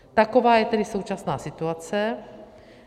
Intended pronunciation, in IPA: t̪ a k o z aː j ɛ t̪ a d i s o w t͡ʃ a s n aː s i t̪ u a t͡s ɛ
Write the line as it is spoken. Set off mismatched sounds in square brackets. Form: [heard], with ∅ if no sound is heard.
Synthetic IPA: t̪ a k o [v] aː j ɛ t̪ [ɛ] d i s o w t͡ʃ a s n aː s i t̪ u a t͡s ɛ